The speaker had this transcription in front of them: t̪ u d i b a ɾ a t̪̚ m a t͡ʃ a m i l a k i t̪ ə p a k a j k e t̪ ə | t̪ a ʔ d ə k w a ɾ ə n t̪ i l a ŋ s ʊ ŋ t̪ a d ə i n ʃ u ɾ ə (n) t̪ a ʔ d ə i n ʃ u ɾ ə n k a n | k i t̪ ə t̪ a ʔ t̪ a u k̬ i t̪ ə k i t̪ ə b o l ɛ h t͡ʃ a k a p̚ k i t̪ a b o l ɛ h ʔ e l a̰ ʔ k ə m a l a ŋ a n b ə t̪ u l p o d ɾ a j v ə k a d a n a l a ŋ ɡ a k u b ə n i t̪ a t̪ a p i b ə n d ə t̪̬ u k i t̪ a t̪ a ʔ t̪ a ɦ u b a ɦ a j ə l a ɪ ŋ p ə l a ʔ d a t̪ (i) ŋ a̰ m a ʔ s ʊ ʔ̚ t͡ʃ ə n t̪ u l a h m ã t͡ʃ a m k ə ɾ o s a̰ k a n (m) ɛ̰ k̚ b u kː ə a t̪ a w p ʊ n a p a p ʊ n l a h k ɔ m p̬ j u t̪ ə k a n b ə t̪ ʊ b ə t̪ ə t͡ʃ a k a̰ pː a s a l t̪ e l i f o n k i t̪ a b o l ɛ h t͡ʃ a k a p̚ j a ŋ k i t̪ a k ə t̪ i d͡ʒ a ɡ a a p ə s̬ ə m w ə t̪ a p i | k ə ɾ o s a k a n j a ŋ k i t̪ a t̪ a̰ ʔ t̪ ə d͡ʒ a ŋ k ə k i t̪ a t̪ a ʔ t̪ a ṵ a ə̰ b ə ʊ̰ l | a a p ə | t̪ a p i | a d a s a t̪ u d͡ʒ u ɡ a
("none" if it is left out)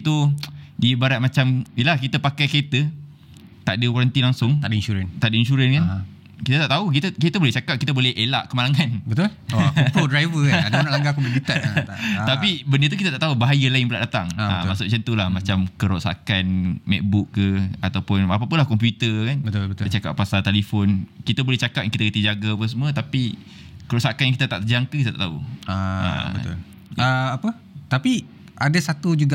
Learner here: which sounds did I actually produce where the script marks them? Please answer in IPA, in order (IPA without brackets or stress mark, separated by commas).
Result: n, a, m